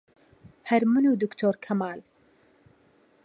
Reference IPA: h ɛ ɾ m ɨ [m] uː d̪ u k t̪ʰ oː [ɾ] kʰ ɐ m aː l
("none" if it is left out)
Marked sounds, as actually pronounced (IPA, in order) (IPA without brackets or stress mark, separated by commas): n, ɾ